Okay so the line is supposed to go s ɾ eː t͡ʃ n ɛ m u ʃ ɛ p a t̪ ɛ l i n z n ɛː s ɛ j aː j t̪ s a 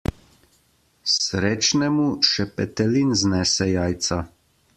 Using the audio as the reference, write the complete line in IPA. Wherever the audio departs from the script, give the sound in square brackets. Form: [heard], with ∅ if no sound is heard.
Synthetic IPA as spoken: s ɾ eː t͡ʃ n ɛ m u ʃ ɛ p [ɛ] t̪ ɛ l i n z n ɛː s ɛ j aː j t̪ s a